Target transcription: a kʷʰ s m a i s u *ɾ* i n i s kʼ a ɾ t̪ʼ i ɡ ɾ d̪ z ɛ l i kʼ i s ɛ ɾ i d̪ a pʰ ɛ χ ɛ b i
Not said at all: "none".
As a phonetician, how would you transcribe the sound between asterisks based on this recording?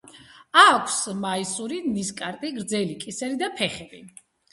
ɾ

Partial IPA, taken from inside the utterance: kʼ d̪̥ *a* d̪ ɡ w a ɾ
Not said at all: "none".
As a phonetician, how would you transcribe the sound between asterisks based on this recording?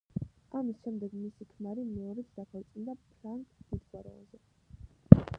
i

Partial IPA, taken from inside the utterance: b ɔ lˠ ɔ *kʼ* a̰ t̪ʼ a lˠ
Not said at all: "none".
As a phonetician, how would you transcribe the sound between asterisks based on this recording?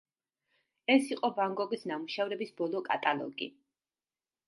kʼ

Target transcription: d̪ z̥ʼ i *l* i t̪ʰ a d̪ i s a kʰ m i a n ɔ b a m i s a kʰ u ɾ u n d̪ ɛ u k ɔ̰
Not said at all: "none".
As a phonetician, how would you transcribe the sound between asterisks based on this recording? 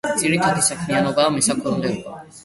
ɾ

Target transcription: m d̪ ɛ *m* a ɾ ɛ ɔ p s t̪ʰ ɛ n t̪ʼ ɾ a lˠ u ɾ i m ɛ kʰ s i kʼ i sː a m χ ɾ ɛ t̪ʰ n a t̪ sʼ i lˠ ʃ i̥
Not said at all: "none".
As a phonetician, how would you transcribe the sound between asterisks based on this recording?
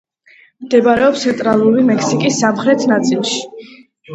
b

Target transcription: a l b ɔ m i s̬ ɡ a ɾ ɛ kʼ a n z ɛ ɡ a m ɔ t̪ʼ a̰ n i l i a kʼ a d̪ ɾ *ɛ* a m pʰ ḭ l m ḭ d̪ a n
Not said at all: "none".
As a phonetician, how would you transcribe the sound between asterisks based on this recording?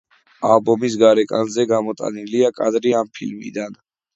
i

